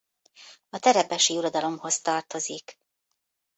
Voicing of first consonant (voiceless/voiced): voiceless